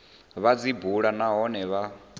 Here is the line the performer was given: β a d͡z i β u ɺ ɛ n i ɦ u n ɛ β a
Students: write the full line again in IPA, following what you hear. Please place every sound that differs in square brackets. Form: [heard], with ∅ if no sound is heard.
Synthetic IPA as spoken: β a d͡z i [b] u ɺ [a] n [a] ɦ [ɔ] n ɛ β a